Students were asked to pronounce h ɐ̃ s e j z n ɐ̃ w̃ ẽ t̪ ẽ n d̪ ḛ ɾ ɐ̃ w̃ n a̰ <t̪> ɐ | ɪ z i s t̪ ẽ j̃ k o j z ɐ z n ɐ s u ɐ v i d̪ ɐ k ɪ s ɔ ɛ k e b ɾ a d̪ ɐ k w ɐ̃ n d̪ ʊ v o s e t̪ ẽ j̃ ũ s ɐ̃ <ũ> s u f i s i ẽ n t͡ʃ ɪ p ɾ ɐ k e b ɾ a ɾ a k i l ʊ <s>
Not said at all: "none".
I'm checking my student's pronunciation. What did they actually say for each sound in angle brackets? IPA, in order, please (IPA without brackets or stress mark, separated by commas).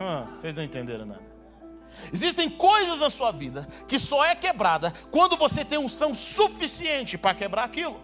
d̪, w̃, none